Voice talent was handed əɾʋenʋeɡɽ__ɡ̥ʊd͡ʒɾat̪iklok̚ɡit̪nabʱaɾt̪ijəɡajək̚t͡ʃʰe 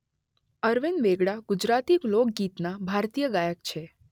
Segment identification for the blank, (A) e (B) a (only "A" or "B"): B